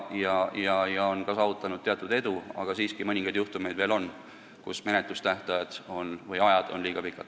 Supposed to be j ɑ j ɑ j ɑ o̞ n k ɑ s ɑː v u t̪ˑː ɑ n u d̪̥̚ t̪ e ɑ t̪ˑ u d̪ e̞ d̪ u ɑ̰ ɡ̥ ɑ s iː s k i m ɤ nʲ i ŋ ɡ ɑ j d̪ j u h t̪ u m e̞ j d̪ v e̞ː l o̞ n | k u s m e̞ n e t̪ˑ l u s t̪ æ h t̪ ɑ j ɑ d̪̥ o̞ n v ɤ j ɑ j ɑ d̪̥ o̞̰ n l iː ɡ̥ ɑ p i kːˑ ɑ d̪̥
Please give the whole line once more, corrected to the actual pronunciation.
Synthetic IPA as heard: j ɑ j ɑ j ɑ o̞ n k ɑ s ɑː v u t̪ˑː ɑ n u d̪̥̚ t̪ e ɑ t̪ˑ u d̪ e̞ d̪ u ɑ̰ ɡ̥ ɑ s iː s k i m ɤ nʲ i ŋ ɡ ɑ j d̪ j u h t̪ u m e̞ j d̪ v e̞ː l o̞ n | k u s m e̞ n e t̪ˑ l u s t̪ æ h t̪ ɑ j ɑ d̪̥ o̞ n v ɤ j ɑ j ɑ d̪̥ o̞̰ n l iː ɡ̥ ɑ p i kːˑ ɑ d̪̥